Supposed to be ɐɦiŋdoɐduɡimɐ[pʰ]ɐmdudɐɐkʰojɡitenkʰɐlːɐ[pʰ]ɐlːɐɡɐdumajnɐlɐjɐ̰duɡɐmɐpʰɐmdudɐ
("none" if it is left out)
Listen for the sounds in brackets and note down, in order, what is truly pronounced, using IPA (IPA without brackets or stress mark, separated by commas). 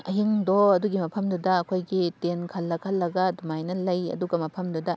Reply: pʰ, kʰ